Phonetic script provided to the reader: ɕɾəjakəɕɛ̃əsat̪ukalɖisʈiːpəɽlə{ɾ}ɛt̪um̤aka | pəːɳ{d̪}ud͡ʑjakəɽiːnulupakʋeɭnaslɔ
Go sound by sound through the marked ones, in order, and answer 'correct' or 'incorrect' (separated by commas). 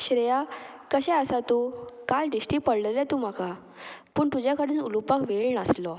incorrect, incorrect